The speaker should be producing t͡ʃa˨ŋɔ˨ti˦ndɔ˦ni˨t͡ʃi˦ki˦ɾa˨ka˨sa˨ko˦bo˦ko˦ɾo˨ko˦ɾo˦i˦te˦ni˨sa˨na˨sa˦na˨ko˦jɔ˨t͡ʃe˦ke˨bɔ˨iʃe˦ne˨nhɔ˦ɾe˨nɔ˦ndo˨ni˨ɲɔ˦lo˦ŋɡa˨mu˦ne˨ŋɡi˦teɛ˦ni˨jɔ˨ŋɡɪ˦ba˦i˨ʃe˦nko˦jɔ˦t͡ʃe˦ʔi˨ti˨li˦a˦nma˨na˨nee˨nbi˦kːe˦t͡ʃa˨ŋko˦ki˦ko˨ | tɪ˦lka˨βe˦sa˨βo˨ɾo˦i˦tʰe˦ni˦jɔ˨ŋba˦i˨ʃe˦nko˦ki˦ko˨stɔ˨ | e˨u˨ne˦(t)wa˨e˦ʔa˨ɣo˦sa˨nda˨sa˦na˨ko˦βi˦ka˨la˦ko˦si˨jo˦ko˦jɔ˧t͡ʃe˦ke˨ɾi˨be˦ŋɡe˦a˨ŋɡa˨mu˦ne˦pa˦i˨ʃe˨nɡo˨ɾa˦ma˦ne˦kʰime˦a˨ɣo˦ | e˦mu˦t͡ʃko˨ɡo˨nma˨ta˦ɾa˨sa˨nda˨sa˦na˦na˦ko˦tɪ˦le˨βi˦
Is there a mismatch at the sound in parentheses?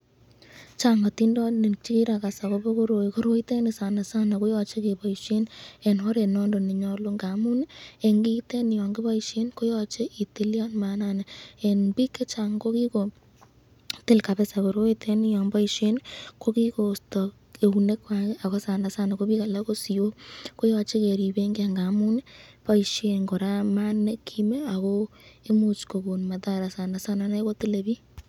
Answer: yes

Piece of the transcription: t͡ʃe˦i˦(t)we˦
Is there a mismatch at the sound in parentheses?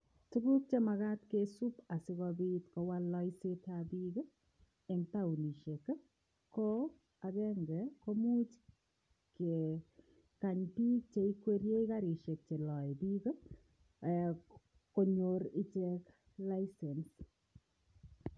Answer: yes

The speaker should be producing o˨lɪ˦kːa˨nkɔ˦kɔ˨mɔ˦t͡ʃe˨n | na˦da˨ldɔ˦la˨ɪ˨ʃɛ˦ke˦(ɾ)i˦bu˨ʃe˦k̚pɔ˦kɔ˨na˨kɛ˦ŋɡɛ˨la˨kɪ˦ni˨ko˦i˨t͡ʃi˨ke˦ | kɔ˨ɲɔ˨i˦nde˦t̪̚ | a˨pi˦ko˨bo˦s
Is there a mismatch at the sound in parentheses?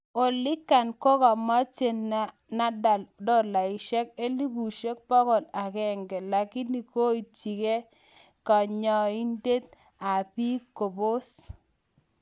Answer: yes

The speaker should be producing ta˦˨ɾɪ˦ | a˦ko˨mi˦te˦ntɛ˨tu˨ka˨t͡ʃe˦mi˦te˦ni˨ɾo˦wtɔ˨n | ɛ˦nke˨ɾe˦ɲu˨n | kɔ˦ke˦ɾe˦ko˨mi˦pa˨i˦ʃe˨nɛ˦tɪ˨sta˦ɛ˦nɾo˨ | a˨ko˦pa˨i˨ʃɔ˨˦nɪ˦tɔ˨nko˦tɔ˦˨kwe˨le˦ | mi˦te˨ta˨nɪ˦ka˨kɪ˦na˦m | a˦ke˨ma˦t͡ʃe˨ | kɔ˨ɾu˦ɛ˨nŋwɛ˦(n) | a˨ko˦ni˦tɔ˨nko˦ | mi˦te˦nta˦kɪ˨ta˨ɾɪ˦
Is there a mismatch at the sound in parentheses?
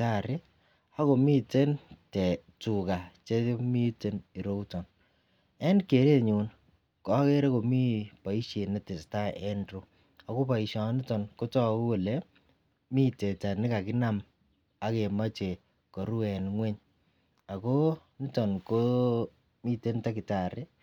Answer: yes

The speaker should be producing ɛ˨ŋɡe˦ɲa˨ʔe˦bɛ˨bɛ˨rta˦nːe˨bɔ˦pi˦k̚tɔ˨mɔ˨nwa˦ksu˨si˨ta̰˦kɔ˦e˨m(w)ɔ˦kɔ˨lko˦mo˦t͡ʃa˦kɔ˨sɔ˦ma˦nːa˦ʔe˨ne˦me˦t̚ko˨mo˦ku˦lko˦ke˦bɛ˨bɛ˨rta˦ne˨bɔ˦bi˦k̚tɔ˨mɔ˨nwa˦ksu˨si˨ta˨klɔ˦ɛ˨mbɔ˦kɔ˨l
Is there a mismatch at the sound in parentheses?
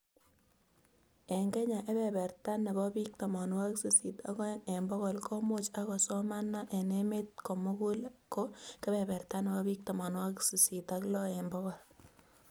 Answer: yes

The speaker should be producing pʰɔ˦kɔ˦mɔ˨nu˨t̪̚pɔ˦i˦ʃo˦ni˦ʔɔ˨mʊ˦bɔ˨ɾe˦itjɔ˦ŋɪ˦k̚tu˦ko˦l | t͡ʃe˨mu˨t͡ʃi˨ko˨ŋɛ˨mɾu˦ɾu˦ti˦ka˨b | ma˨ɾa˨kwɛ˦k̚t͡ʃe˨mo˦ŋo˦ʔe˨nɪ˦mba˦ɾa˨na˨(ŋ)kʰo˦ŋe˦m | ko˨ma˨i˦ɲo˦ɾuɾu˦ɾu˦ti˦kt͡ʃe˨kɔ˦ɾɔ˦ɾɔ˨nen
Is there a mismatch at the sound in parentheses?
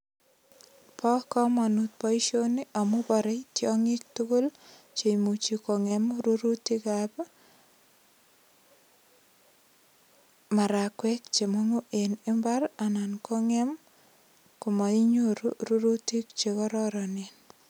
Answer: yes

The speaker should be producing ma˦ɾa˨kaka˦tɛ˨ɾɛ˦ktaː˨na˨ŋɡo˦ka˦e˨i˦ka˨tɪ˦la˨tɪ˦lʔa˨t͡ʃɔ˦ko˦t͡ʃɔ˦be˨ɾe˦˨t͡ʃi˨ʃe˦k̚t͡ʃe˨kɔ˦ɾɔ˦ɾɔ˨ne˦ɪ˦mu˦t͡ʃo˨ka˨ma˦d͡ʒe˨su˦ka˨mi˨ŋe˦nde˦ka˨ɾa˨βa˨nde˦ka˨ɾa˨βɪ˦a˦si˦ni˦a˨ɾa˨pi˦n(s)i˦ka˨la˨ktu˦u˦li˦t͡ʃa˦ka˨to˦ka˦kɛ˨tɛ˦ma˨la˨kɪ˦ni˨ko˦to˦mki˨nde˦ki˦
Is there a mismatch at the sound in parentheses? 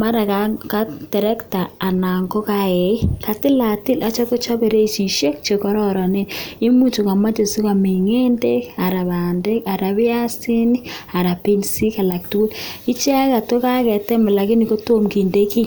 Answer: no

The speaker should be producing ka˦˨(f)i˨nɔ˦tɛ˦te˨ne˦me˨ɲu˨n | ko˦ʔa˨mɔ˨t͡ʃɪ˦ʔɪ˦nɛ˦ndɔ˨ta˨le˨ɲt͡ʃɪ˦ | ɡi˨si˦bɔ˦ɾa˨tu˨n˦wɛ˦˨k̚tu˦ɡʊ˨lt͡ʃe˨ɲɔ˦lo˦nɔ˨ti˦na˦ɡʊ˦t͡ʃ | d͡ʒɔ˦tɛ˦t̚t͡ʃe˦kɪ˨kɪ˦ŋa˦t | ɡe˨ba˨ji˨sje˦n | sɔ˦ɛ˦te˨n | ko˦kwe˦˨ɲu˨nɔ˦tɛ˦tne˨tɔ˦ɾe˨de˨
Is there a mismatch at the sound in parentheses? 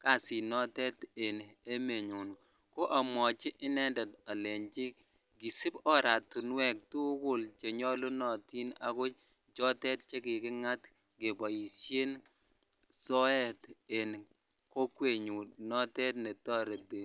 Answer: yes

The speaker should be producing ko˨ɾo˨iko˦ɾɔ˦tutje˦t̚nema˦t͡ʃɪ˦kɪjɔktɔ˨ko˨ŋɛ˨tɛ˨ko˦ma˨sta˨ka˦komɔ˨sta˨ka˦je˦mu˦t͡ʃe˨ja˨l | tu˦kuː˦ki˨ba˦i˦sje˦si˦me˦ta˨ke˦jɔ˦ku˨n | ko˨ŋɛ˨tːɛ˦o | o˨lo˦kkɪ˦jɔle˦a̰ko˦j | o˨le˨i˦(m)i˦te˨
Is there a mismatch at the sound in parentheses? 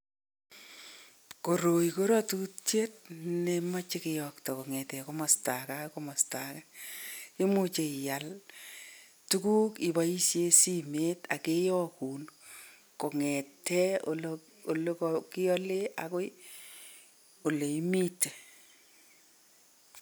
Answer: no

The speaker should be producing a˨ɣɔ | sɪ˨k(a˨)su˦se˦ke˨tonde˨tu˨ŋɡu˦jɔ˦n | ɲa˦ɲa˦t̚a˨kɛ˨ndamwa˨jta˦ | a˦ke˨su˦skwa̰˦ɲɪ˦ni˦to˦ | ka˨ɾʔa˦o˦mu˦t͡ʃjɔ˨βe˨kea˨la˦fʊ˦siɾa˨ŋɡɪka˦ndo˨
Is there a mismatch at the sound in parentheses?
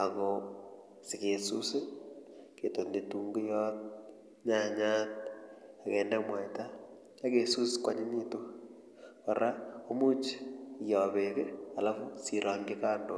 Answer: yes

